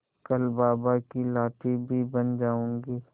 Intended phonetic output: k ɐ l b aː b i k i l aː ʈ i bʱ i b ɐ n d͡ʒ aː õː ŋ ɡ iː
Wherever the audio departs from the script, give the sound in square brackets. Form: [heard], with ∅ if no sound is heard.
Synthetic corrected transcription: k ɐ l b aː b [a] k i l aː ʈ i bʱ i b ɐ n d͡ʒ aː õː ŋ ɡ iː